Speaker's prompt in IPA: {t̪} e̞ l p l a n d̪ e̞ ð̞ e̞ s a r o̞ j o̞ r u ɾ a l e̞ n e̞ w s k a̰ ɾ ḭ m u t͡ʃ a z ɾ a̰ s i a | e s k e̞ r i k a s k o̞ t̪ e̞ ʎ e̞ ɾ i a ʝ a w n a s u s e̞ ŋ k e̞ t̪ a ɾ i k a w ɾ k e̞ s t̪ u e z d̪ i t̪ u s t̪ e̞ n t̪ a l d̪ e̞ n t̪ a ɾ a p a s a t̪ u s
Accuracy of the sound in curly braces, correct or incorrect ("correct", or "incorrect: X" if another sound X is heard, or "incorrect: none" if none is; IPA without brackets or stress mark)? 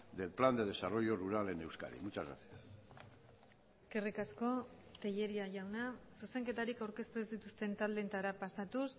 incorrect: d̪